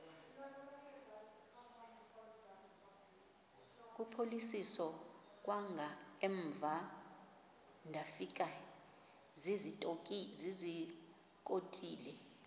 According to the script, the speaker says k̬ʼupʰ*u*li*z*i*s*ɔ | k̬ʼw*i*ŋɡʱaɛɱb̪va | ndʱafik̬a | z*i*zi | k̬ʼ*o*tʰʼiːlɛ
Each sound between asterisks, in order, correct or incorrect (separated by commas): incorrect, incorrect, correct, incorrect, correct, correct